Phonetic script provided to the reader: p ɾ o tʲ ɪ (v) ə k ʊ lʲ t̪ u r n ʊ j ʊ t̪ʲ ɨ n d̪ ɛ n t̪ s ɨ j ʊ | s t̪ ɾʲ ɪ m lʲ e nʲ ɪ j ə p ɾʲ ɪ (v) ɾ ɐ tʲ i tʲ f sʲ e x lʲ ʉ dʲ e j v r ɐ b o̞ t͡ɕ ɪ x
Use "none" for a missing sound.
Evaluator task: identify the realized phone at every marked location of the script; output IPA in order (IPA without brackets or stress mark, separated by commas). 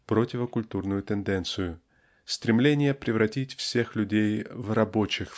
v, v